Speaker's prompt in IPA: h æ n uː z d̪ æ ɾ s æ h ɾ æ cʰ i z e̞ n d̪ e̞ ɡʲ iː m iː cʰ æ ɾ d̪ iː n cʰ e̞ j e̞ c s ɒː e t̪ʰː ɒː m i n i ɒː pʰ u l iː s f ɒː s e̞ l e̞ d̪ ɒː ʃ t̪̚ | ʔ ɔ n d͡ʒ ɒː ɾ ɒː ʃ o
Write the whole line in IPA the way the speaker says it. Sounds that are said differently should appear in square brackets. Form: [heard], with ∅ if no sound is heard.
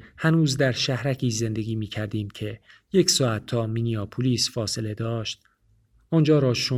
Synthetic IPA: h æ n uː z d̪ æ ɾ [ʃ] æ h ɾ æ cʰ [iː] z e̞ n d̪ e̞ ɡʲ iː m iː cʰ æ ɾ d̪ iː [m] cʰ e̞ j e̞ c s ɒː [æ] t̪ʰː ɒː m i n i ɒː pʰ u l iː s f ɒː s e̞ l e̞ d̪ ɒː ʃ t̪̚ | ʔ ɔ n d͡ʒ ɒː ɾ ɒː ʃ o